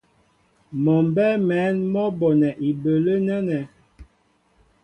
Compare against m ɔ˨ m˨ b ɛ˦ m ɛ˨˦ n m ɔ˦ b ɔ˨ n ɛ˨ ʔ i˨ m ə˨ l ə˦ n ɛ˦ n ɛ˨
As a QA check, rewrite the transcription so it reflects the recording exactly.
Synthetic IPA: m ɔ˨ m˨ b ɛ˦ m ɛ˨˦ n m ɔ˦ b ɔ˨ n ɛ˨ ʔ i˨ b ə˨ l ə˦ n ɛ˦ n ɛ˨